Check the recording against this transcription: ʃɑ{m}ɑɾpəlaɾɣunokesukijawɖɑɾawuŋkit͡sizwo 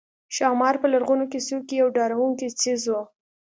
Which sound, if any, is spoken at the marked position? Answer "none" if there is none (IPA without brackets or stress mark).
m